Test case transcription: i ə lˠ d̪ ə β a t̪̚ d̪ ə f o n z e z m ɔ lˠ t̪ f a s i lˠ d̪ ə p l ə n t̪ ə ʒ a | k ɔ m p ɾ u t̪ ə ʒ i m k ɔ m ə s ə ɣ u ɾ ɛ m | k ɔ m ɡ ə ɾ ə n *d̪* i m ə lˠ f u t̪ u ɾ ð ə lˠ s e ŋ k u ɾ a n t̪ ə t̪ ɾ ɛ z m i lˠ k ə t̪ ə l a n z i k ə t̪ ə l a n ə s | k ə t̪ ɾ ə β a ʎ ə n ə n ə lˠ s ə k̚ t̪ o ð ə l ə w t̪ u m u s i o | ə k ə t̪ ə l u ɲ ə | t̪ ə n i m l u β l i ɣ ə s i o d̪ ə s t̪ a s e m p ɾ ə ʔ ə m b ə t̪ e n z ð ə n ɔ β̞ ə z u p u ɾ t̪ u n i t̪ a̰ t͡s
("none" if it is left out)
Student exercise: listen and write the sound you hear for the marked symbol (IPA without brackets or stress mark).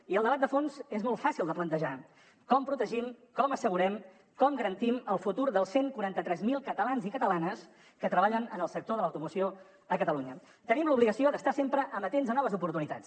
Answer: t̪